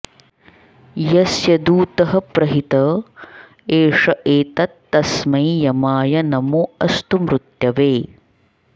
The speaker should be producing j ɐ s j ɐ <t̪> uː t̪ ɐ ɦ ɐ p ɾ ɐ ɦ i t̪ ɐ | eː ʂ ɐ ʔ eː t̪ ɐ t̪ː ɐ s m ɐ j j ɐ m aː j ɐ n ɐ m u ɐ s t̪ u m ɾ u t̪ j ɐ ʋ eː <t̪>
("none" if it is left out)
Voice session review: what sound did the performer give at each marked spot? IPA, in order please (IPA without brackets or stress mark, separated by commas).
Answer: d̪, none